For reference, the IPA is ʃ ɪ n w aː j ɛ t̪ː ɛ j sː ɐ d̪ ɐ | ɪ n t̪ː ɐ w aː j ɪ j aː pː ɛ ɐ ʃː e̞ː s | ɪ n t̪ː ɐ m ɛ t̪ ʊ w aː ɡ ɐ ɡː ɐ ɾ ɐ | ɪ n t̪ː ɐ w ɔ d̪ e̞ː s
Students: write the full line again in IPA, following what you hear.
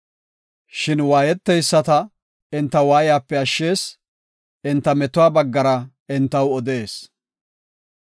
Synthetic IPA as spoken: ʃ ɪ n w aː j ɛ t̪ː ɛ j sː ɐ t̪ ɐ | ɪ n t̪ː ɐ w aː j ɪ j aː pː ɛ ɐ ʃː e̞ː s | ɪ n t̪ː ɐ m ɛ t̪ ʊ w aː b ɐ ɡː ɐ ɾ ɐ | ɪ n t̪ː ɐ w ɔ d̪ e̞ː s